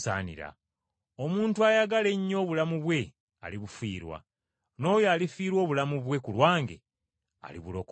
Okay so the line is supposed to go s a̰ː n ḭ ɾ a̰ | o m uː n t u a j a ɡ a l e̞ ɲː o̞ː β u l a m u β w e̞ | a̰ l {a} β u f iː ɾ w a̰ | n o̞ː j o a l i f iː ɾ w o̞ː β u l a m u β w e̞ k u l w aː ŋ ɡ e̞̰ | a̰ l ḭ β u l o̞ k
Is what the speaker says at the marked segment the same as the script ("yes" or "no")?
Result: no